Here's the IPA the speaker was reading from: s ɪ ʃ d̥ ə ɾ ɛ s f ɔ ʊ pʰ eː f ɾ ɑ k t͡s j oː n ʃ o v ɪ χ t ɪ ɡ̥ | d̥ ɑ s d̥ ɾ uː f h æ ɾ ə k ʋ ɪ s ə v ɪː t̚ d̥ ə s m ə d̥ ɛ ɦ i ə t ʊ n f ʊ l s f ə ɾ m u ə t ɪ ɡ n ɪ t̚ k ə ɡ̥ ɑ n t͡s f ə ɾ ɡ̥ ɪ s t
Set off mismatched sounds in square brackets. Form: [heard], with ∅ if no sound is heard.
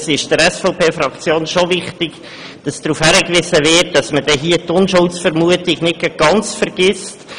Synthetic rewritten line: s ɪ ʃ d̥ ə ɾ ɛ s f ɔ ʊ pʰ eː f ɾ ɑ k t͡s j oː n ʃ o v ɪ χ t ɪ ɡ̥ | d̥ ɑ s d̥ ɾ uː f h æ ɾ ə k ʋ ɪ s ə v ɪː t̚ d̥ [ɑ] s m ə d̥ ɛ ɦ i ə t ʊ n [ʃ] ʊ l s f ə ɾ m u ə t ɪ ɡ n ɪ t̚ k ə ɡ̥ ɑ n t͡s f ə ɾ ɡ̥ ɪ s t